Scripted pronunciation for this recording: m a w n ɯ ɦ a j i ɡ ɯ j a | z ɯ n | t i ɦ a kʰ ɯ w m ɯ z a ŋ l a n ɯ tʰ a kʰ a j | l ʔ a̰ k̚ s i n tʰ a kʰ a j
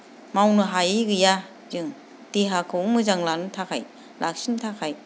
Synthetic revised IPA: m a w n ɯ ɦ a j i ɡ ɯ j a | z ɯ ŋ | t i ɦ a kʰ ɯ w m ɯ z a ŋ l a n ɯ tʰ a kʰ a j | l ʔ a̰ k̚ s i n tʰ a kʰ a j